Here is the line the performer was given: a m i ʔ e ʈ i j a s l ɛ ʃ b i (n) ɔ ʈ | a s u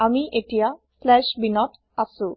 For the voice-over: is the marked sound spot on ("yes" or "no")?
yes